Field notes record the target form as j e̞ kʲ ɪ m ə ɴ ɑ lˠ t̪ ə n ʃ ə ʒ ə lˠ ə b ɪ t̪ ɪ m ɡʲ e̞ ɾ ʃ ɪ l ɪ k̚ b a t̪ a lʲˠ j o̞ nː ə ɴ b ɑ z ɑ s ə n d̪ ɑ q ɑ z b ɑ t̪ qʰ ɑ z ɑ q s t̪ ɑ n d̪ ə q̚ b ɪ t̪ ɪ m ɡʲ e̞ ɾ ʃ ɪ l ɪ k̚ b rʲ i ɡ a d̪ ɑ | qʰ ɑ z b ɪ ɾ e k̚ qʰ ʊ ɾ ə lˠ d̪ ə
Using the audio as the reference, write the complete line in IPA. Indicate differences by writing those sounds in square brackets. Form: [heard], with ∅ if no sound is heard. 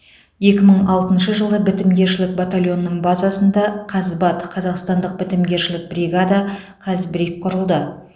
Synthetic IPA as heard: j e̞ kʲ ɪ m ə ɴ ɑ lˠ t̪ ə n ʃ ə ʒ ə lˠ ə b ɪ t̪ ɪ m ɡʲ e̞ ɾ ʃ ɪ l ɪ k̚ b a t̪ a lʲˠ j o̞ nː ə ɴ b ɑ z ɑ s ə n d̪ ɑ [qʰ] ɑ z b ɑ t̪ qʰ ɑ z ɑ q s t̪ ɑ n d̪ ə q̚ b ɪ t̪ ɪ m ɡʲ e̞ ɾ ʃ ɪ l ɪ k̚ b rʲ i ɡ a d̪ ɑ | qʰ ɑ z b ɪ ɾ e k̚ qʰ ʊ ɾ ə lˠ d̪ ə